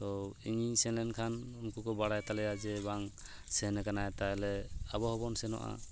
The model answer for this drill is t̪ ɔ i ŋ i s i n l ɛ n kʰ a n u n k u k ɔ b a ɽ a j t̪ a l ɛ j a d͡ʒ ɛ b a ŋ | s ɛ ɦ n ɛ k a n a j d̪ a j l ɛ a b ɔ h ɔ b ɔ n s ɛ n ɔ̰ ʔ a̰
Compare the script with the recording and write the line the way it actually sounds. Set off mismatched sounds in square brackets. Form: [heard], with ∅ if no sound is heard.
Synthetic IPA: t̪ ɔ i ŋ i s [ɛ] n l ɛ n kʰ a n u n k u k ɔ b a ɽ a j t̪ a l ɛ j a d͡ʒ ɛ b a ŋ | s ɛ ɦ n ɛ k a n a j [t̪] a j l ɛ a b ɔ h ɔ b ɔ n s ɛ n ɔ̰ ʔ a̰

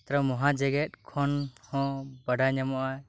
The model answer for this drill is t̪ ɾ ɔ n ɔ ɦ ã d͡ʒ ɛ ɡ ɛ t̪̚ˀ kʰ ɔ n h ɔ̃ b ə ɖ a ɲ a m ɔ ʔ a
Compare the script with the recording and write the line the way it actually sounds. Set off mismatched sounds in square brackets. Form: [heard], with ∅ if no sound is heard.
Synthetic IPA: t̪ ɾ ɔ [m] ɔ ɦ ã d͡ʒ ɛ ɡ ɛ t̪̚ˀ kʰ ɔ n h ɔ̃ b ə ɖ a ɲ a m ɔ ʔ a

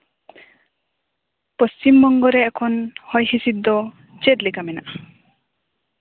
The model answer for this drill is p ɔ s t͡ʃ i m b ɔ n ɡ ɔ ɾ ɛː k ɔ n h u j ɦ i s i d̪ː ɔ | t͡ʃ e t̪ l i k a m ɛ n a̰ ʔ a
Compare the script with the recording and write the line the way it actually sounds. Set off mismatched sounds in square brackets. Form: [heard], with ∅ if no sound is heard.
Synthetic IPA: p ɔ s t͡ʃ i m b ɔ [ŋ] ɡ ɔ ɾ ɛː [kʰ] ɔ n h [ɔ] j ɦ i s i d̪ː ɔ | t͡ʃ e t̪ l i k a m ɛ n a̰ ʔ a

